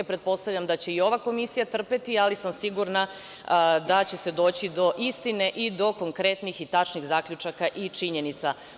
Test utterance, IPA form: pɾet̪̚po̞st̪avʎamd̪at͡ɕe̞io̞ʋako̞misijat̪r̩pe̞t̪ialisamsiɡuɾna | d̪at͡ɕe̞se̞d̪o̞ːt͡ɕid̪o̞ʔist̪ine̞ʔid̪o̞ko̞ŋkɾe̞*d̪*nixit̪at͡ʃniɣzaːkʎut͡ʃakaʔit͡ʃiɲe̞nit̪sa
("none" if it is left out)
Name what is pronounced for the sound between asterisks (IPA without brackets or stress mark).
t̪